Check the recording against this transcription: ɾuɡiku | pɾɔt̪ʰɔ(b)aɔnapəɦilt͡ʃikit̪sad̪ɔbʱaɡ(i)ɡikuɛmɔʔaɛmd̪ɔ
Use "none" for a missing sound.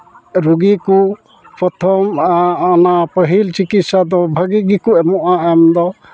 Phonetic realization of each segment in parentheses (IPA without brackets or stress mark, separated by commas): m, i